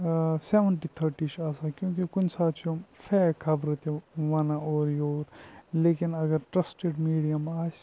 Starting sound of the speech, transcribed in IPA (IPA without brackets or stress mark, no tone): s